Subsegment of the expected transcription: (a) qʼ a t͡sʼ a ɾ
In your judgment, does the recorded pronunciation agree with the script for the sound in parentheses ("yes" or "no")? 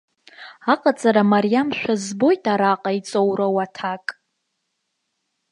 yes